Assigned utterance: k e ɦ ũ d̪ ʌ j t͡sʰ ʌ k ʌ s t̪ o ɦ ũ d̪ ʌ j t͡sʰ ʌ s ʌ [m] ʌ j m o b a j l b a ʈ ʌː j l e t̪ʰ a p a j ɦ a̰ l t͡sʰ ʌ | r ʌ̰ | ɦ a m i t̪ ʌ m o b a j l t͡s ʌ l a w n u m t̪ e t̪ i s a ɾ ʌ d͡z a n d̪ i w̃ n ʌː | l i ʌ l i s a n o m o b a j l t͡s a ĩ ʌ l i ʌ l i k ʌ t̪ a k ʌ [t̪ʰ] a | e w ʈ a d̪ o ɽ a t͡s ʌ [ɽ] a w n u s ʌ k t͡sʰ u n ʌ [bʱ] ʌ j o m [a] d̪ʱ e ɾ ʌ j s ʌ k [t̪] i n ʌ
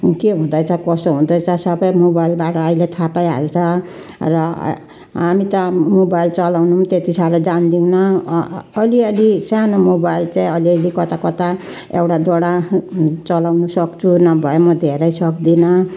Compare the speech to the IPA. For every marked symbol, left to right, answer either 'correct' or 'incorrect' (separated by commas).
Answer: incorrect, incorrect, incorrect, correct, incorrect, incorrect